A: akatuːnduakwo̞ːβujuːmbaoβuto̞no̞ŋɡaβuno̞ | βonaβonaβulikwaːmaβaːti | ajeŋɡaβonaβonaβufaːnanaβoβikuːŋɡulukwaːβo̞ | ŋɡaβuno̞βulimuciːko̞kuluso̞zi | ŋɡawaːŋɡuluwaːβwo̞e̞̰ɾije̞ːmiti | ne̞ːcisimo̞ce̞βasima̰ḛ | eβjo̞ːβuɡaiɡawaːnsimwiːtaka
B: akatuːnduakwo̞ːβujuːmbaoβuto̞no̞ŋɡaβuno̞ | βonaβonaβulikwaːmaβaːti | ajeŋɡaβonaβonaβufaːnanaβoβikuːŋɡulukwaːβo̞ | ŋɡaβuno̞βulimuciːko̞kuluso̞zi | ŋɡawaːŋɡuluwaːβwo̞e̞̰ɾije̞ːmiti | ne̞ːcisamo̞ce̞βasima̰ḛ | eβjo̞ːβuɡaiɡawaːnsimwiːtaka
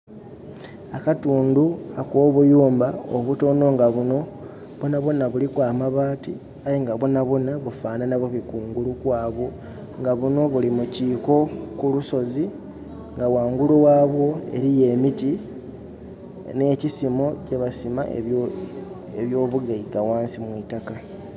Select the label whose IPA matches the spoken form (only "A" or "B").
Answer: A